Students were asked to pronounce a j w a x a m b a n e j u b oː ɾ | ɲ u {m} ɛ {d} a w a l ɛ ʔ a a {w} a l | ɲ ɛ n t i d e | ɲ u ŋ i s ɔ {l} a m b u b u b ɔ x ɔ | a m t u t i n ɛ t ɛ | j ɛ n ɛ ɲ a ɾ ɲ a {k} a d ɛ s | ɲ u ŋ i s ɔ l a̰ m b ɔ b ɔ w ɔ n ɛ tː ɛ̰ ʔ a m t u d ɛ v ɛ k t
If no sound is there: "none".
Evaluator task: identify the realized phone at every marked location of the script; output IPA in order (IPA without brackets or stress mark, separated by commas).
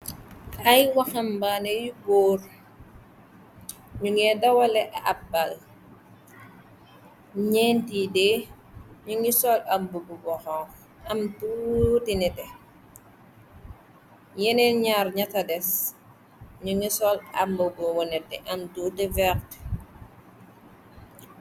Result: ŋ, d, b, l, t